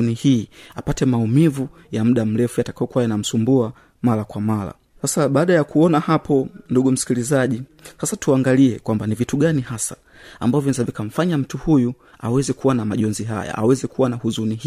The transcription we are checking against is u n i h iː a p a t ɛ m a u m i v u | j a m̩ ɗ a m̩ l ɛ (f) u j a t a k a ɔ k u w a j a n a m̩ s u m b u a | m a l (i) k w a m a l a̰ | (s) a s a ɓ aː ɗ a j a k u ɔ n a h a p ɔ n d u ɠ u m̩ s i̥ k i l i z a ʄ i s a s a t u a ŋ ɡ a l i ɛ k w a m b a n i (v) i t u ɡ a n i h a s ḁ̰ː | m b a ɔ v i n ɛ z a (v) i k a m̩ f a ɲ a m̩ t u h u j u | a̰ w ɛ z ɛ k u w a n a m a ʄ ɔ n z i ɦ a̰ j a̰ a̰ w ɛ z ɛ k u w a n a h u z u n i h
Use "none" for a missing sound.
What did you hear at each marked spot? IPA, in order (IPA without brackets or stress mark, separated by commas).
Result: f, a, s, v, v